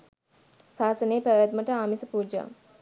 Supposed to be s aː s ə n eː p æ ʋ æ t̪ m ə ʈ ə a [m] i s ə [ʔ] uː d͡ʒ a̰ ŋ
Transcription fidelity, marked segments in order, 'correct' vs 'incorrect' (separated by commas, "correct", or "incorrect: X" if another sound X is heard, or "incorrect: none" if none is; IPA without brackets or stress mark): correct, incorrect: p